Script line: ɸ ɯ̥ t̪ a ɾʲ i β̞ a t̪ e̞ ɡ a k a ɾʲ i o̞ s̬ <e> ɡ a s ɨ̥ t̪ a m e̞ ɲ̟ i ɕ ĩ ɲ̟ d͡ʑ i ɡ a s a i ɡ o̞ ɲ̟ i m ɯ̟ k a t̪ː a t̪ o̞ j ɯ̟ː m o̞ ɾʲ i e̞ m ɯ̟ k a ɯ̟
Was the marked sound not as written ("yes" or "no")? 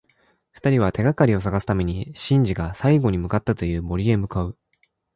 yes